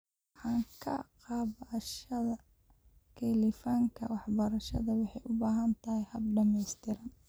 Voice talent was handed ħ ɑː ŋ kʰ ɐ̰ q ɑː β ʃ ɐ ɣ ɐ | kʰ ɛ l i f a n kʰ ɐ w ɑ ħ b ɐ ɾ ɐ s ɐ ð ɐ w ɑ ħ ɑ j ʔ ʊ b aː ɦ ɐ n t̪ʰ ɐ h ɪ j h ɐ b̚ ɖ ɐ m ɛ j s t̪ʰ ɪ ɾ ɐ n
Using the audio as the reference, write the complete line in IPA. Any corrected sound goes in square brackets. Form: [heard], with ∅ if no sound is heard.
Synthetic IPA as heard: ħ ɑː ŋ kʰ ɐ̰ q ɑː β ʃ ɐ [ð] ɐ | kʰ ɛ l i f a [ŋ] kʰ ɐ w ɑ ħ b ɐ ɾ ɐ [ʃ] ɐ ð ɐ w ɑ ħ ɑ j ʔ ʊ b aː ɦ ɐ n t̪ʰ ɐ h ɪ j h ɐ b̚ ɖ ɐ m ɛ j s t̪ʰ ɪ ɾ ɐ n